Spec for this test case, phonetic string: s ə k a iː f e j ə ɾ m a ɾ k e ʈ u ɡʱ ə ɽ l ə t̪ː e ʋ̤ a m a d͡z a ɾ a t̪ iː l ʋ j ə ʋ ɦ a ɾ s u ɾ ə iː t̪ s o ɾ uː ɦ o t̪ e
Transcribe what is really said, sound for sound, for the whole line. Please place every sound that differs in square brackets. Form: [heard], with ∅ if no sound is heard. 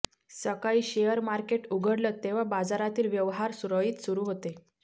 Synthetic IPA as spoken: s ə k a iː [ɕ] e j ə ɾ m a ɾ k e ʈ u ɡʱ ə ɽ l ə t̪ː e ʋ̤ a [b] a d͡z a ɾ a t̪ iː l ʋ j ə ʋ ɦ a ɾ s u ɾ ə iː t̪ s [u] ɾ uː ɦ o t̪ e